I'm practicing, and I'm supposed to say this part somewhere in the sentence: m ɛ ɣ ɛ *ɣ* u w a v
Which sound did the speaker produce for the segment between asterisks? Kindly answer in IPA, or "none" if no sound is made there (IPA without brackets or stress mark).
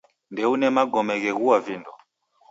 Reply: ɣ